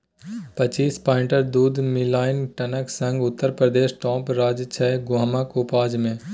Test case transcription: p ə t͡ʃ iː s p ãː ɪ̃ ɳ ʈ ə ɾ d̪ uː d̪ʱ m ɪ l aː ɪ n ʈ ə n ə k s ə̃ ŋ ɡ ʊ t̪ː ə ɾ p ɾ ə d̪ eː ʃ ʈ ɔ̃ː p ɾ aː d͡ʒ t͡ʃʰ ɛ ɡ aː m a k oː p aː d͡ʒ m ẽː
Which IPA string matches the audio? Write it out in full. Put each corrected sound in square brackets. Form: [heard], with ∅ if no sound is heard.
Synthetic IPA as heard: p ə t͡ʃ iː s p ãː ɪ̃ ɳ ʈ ə ɾ d̪ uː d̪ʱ m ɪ l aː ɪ n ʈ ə n ə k s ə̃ ŋ ɡ ʊ t̪ː ə ɾ p ɾ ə d̪ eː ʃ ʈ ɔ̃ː p ɾ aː d͡ʒ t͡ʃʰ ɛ ɡ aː m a k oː p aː d͡ʒ m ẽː